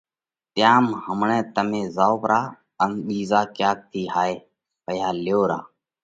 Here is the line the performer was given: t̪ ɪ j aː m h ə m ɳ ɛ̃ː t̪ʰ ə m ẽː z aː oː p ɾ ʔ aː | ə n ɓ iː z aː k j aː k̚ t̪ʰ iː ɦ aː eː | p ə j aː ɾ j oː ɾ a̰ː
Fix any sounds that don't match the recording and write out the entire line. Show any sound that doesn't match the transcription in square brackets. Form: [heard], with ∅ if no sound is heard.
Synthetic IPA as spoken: t̪ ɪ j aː m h ə m ɳ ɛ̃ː [t̪] ə m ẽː z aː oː p ɾ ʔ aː | ə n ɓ iː z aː k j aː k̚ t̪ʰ iː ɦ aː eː | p ə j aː [l] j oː ɾ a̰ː